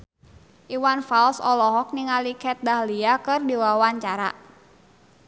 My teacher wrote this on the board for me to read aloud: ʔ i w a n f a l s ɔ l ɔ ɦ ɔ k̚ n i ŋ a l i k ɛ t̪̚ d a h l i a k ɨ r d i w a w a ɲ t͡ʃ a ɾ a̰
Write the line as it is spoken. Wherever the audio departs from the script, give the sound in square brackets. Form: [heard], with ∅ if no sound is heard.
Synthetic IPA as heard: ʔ i w a n f a l s ɔ l ɔ ɦ ɔ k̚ n i ŋ a l i k ɛ t̪̚ d a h l i a k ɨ r d i w a w a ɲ t͡ʃ a ɾ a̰